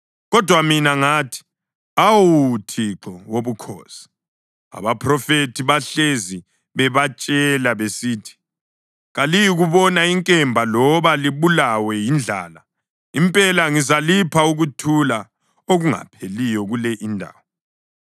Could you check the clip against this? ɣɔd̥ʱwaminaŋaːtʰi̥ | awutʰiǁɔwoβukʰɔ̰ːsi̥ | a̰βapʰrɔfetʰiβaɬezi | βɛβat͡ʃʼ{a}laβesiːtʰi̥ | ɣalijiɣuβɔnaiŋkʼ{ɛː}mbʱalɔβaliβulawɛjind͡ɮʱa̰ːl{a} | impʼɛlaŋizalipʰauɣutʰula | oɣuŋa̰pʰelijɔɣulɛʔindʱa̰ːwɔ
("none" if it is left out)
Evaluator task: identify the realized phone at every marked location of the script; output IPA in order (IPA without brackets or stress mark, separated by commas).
ɛ, ɛ, a